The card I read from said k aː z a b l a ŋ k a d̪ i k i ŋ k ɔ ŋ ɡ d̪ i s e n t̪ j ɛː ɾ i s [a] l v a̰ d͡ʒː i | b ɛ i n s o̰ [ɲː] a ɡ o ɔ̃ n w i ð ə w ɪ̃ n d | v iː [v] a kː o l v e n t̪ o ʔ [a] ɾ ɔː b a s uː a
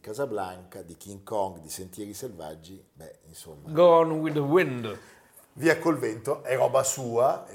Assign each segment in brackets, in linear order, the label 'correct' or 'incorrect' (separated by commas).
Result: incorrect, incorrect, incorrect, incorrect